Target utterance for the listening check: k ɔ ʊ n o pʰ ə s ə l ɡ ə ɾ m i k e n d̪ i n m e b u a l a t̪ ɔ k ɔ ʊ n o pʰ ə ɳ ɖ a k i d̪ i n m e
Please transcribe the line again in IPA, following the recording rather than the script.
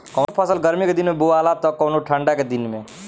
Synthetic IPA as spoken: k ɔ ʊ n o pʰ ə s ə l ɡ ə ɾ m i k e d̪ i n m e b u a l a t̪ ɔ k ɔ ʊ n o ʈʰ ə ɳ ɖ a k e d̪ i n m e